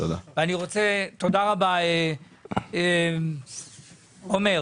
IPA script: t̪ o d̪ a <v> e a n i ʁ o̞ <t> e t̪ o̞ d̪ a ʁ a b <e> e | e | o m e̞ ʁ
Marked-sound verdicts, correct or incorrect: correct, incorrect: t͡s, incorrect: a

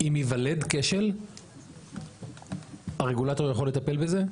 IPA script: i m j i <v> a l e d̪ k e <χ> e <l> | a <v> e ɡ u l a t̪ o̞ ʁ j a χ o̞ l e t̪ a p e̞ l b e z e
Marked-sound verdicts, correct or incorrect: correct, incorrect: ʃ, correct, incorrect: ʁ

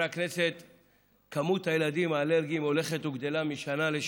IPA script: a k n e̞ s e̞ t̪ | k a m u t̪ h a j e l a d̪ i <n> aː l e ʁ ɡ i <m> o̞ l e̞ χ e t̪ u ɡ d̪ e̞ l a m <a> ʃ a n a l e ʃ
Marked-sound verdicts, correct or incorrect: incorrect: m, correct, incorrect: i

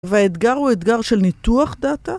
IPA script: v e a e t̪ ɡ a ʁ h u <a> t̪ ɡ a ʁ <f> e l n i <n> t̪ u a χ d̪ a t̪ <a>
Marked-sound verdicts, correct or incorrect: incorrect: e, incorrect: ʃ, incorrect: none, correct

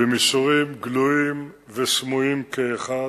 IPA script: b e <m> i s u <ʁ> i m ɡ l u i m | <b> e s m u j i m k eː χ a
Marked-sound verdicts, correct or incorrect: correct, correct, incorrect: v

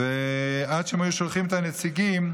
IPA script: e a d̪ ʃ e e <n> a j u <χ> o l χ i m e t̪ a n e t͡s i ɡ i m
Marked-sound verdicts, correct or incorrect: incorrect: m, incorrect: ʃ

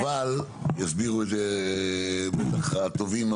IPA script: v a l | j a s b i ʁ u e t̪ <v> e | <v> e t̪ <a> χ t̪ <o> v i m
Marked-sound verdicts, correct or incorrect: incorrect: z, incorrect: b, correct, correct

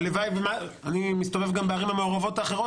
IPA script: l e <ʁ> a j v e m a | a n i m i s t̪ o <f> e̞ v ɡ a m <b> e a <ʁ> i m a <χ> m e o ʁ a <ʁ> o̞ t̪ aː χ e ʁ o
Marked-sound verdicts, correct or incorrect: incorrect: v, incorrect: v, correct, correct, incorrect: none, incorrect: v

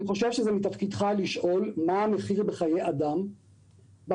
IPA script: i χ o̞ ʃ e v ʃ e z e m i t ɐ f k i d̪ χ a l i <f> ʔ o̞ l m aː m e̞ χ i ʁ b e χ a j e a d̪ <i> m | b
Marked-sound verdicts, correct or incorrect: incorrect: ʃ, incorrect: a

